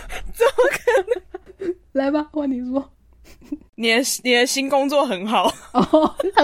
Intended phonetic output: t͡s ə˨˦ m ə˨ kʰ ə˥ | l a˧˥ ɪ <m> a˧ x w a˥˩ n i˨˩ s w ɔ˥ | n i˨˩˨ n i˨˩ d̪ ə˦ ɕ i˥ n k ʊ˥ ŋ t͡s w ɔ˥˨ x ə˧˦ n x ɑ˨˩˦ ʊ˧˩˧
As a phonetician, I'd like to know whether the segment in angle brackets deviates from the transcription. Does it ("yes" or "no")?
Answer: yes